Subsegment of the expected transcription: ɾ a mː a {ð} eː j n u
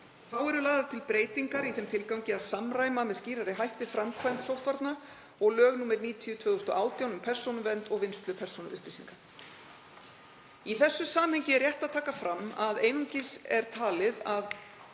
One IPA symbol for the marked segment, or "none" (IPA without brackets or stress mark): ð